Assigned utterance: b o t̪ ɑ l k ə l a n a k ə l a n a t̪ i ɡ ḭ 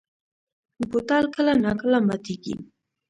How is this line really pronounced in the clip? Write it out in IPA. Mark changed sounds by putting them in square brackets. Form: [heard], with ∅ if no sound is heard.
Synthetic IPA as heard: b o t̪ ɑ l k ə l a n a k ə l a [m] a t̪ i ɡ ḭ